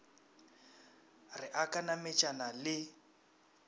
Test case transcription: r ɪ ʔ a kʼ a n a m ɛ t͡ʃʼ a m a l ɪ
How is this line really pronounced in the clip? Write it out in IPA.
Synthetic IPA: r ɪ ʔ a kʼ a n a m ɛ t͡ʃʼ a n a l ɪ